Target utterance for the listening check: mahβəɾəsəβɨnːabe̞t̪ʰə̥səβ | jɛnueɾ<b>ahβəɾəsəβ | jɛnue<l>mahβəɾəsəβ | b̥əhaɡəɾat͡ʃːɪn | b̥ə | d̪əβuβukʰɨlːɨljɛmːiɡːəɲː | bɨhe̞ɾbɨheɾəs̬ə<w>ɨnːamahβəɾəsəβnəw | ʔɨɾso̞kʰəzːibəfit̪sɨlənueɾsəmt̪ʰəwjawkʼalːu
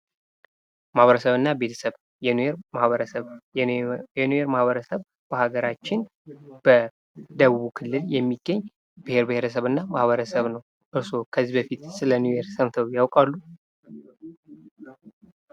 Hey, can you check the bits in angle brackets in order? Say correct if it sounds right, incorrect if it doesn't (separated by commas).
incorrect, incorrect, incorrect